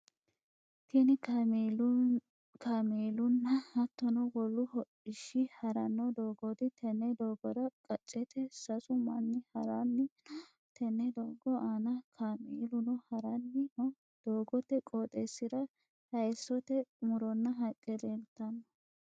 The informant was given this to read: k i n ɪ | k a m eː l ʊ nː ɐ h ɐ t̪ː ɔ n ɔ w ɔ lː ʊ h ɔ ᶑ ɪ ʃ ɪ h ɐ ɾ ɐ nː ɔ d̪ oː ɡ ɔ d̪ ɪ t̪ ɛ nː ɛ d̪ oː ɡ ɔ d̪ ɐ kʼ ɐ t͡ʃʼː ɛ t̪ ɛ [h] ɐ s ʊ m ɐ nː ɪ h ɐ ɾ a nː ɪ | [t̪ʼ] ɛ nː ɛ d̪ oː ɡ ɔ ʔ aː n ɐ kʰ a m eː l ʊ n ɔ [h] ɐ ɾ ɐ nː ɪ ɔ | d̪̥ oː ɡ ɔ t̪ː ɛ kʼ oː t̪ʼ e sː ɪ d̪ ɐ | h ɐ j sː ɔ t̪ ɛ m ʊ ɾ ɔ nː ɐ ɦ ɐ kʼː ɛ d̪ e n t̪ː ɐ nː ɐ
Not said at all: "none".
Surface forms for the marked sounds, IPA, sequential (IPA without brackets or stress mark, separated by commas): s, t̪, h